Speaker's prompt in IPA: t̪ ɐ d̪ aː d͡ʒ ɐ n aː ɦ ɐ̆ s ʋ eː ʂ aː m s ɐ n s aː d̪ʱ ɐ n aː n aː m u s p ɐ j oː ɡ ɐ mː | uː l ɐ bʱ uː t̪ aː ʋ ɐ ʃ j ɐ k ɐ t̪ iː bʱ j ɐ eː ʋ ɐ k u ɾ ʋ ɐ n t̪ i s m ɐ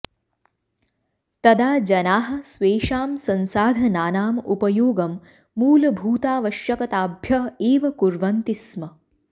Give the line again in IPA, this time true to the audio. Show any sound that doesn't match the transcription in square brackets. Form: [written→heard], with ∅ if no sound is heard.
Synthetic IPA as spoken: t̪ ɐ d̪ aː d͡ʒ ɐ n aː ɦ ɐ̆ s ʋ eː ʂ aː m s ɐ n s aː d̪ʱ ɐ n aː n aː m u [s→∅] p ɐ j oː ɡ ɐ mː | uː l ɐ bʱ uː t̪ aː ʋ ɐ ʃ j ɐ k ɐ t̪ [iː→aː] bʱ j ɐ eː ʋ ɐ k u ɾ ʋ ɐ n t̪ i s m ɐ